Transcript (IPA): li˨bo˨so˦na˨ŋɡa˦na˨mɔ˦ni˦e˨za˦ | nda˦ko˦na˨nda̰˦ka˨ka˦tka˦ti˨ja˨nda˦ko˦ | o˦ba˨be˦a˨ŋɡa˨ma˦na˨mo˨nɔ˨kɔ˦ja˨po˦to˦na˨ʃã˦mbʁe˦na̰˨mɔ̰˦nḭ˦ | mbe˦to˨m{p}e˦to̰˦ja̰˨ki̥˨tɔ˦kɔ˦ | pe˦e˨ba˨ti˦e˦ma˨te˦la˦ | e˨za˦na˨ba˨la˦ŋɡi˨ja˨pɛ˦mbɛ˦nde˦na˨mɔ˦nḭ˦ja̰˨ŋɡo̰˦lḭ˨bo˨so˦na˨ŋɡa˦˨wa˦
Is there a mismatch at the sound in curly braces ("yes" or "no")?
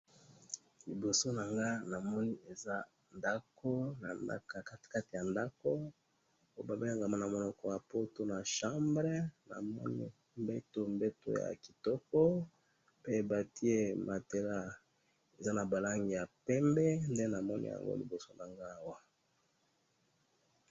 yes